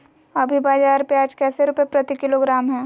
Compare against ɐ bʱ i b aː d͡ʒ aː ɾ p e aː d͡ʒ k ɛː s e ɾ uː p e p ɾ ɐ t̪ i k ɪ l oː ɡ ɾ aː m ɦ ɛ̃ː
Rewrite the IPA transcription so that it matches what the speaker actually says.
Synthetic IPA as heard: ɐ bʱ i b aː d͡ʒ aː ɾ p e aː d͡ʒ k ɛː s e ɾ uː p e p ɾ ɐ t̪ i k ɪ l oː ɡ ɾ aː m ɦ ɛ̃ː